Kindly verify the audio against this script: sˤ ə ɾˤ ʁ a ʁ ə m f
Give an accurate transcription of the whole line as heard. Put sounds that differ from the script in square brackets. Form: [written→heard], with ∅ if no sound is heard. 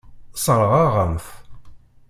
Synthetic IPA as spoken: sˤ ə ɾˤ ʁ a ʁ ə m f

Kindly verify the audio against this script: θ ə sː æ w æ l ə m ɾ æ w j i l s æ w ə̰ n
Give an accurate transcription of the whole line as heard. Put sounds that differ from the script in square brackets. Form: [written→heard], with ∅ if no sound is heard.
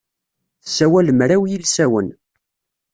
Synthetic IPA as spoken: θ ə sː æ w æ l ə m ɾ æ w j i l s æ w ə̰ n

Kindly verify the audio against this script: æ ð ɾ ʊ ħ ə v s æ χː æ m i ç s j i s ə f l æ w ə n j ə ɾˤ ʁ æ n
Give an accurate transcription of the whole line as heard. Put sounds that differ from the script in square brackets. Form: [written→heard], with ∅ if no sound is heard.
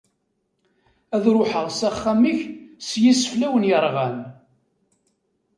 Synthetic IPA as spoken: æ ð ɾ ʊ ħ ə [v→ʁ] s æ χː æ m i ç s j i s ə f l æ w ə n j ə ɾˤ ʁ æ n

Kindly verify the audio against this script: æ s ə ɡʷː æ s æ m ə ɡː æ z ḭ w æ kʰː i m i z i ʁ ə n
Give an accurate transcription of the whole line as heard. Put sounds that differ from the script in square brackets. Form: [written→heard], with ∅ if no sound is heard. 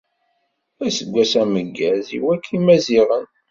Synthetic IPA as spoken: æ s ə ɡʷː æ s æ m ə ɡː æ z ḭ w æ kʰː i m [i→æ] z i ʁ ə n

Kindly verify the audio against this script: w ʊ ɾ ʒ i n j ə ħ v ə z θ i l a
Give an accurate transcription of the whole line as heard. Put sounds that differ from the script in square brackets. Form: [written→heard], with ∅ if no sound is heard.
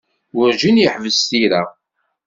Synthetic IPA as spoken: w ʊ ɾ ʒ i n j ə ħ v ə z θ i [l→ɾ] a

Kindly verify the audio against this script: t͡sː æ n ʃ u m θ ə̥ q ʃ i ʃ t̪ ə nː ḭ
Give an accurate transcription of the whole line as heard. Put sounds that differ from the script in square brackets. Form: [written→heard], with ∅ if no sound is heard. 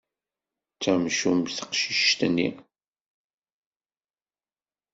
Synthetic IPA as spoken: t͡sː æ [n→m] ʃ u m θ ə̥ q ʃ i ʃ t̪ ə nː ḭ

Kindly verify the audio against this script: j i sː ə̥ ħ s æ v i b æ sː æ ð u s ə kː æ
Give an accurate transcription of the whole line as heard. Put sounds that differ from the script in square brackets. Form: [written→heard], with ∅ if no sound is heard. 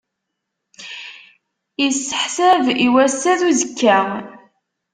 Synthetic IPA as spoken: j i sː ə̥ ħ s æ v i [b→w] æ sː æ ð u [s→z] ə kː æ

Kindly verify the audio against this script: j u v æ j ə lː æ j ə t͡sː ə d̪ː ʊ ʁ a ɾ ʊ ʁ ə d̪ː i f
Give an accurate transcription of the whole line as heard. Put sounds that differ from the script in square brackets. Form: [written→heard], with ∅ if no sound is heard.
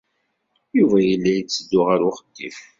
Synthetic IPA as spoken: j u v æ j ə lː æ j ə t͡sː ə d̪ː ʊ ʁ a ɾ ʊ [ʁ→χ] ə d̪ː i f

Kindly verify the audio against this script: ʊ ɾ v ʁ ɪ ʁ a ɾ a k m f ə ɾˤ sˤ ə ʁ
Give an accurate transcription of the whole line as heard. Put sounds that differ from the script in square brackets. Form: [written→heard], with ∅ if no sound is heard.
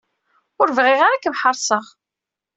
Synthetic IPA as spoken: ʊ ɾ v ʁ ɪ ʁ a ɾ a k m [f→ħ] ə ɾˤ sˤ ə ʁ

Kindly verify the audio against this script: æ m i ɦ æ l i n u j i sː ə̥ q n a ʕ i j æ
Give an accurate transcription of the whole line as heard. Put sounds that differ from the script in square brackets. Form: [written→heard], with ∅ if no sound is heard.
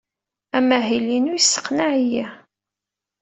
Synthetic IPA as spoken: æ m [i→æ] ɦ [æ→i] l i n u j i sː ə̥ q n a ʕ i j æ

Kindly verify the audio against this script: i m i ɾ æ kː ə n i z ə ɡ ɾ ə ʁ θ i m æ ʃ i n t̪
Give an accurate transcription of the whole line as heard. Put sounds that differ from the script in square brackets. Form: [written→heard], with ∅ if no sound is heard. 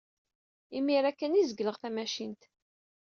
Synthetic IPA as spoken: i m i ɾ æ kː ə n i z ə ɡ [ɾ→l] ə ʁ θ [i→æ] m æ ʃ i n t̪

